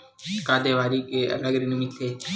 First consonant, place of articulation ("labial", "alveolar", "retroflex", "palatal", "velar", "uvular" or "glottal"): velar